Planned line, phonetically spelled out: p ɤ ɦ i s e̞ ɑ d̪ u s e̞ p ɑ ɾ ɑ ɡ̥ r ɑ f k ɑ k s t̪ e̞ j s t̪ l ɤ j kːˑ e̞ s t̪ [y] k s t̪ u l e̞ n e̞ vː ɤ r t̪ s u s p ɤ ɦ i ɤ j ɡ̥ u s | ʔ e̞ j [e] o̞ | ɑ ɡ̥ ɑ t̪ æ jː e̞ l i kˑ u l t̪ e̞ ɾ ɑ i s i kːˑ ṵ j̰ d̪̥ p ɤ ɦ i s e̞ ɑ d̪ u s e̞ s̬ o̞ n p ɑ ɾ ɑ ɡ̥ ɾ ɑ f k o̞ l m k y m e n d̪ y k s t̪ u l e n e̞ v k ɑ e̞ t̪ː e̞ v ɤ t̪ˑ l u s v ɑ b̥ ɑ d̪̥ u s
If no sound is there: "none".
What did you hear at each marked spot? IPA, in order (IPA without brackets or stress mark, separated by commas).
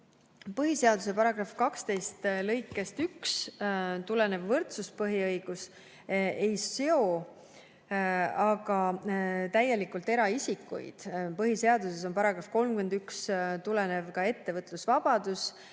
y, e